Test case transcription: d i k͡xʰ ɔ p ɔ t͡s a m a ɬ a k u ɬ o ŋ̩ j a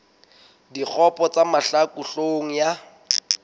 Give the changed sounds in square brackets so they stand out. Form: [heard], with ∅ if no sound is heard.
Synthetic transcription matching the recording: d i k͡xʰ ɔ p ɔ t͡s a m a ɬ a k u ɬ o ŋ̩ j a